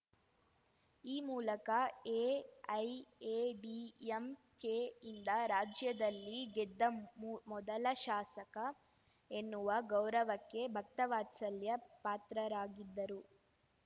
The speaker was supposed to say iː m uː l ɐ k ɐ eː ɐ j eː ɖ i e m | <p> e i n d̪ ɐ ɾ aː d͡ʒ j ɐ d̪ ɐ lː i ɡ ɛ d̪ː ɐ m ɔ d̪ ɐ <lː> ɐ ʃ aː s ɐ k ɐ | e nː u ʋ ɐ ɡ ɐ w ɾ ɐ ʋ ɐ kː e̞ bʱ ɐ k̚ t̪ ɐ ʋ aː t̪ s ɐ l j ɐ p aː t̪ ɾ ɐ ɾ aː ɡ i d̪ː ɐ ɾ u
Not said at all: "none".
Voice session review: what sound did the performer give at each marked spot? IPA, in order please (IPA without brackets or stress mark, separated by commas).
k, l